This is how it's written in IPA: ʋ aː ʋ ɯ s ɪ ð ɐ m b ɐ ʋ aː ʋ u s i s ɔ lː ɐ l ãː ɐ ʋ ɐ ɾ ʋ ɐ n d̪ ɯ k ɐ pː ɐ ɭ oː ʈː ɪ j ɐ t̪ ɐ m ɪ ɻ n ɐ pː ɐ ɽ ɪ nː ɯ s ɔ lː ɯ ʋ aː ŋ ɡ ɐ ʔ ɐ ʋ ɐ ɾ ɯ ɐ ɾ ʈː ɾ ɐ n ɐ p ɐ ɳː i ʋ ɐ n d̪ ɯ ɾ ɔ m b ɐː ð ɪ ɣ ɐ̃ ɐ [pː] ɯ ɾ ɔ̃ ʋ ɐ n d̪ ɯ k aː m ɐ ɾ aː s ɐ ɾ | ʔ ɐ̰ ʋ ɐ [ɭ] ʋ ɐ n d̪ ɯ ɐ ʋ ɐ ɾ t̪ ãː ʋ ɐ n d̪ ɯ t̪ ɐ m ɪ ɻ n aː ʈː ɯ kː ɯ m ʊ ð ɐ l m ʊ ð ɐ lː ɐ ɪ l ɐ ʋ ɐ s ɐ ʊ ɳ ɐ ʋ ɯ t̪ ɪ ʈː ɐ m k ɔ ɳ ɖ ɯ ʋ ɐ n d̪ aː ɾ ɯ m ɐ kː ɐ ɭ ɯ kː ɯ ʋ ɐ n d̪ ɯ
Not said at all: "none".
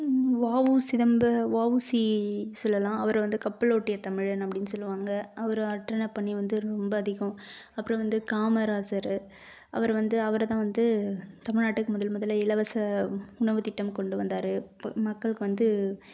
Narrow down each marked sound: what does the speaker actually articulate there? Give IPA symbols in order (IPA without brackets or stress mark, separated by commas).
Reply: pː, ɾ